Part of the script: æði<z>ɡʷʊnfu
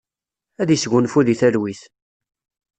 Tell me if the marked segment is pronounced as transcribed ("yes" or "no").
no